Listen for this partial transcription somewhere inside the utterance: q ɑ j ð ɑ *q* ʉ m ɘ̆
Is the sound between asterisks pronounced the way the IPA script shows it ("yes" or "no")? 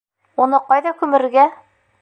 no